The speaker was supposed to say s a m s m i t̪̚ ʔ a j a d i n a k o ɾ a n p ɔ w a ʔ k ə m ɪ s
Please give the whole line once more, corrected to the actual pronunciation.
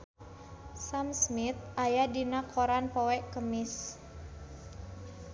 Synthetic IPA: s a m s m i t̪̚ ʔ a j a d i n a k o ɾ a n p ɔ w ɛ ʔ k ə m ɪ s

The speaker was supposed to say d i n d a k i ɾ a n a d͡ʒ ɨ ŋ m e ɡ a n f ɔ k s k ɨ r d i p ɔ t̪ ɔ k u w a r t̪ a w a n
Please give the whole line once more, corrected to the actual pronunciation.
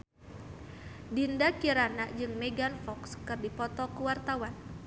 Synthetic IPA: d i n d a k i ɾ a n a d͡ʒ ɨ ŋ m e ɡ a n f ɔ k s k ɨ r d i p ɔ t̪ ɔ k u w a r t̪ a w a n

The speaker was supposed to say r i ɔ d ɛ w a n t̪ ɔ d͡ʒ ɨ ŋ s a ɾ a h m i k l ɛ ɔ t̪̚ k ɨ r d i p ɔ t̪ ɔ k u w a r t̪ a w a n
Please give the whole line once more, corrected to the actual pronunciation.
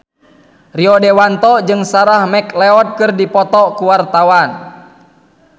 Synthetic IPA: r i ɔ d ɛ w a n t̪ ɔ d͡ʒ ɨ ŋ s a ɾ a h m ɛ k l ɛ ɔ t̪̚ k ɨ r d i p ɔ t̪ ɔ k u w a r t̪ a w a n

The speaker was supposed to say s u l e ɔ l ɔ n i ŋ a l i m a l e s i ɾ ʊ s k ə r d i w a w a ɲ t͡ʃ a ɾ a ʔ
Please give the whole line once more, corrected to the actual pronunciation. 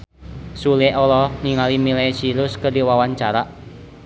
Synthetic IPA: s u l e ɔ l ɔ n i ŋ a l i m i l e s i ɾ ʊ s k ə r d i w a w a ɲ t͡ʃ a ɾ a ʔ

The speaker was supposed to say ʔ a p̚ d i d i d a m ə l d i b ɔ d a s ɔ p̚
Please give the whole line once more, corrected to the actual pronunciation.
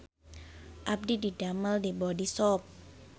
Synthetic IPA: ʔ a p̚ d i d i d a m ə l d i b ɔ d i s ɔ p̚

